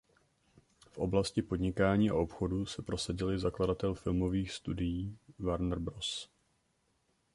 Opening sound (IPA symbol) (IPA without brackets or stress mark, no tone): f